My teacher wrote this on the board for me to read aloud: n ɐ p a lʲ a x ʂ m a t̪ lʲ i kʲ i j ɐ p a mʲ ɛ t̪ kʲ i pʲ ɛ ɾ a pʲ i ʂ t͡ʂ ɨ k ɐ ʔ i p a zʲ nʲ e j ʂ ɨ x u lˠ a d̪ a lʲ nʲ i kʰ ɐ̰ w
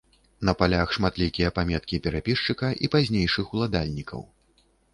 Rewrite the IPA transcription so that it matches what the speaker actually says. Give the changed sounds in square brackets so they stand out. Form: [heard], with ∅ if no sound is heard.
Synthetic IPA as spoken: n ɐ p a lʲ a x ʂ m a t̪ lʲ i kʲ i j ɐ p a mʲ ɛ t̪ kʲ i pʲ ɛ ɾ a pʲ i ʂ t͡ʂ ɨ k ɐ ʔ i p a zʲ nʲ e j ʂ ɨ x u lˠ a d̪ a lʲ nʲ i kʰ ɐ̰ w